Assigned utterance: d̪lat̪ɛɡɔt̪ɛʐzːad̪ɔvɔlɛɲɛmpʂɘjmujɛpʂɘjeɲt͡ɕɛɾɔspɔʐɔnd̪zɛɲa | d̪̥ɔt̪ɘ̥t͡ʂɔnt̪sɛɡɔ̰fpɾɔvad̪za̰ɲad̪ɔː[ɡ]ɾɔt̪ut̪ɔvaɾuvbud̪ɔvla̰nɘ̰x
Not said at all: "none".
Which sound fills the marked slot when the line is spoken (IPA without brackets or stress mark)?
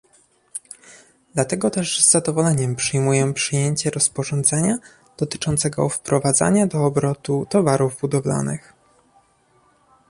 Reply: b